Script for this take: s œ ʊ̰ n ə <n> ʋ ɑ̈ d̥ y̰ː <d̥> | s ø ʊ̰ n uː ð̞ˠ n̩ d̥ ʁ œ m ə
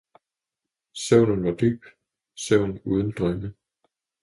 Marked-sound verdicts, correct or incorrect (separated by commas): correct, incorrect